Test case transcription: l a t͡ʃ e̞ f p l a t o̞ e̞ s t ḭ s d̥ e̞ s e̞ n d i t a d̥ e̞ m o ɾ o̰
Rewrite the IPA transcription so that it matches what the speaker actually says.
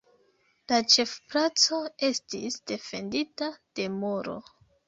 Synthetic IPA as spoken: l a t͡ʃ e̞ f p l a t͡s o̞ e̞ s t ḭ s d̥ e̞ f e̞ n d i t a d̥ e̞ m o ɾ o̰

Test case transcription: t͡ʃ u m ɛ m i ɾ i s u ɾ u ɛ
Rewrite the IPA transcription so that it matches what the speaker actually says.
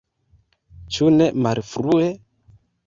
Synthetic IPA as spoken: t͡ʃ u n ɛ m a ɾ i f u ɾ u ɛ

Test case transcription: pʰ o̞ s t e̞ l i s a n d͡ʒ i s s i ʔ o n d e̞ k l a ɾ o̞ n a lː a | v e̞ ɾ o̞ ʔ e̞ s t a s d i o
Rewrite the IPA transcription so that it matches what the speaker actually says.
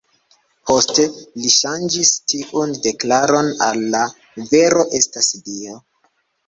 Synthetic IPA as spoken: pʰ o̞ s t e̞ l i ʃ a n d͡ʒ i s t i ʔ u n d e̞ k l a ɾ o̞ n a lː a | v e̞ ɾ o̞ ʔ e̞ s t a s d i o

